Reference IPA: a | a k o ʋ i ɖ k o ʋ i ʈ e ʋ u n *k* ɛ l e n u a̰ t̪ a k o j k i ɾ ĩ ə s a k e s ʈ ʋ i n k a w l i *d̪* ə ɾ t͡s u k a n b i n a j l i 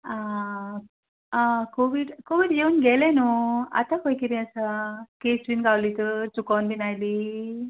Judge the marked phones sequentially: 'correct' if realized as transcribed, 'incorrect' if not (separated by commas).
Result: incorrect, incorrect